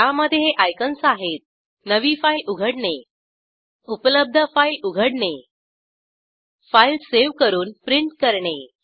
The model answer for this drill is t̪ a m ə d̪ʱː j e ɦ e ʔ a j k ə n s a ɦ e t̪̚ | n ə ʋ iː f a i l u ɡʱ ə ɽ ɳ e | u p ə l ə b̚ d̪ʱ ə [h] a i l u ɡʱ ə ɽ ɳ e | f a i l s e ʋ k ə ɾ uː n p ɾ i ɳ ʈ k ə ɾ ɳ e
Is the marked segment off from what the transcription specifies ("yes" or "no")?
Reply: yes